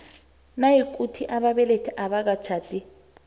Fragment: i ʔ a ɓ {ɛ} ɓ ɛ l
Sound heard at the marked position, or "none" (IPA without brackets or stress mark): a